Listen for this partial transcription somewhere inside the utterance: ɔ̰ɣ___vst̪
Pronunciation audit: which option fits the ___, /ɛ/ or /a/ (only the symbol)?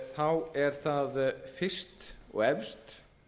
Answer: ɛ